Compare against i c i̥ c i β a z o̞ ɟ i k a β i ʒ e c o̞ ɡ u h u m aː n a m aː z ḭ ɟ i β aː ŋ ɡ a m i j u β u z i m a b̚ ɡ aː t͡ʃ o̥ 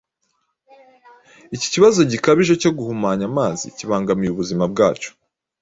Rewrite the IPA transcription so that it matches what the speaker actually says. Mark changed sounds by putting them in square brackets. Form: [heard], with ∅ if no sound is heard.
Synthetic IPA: i c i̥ c i β a z o̞ ɟ i k a β i ʒ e c o̞ ɡ u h u m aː [ɲ] a m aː z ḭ [c] i β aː ŋ ɡ a m i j u β u z i m a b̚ ɡ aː t͡ʃ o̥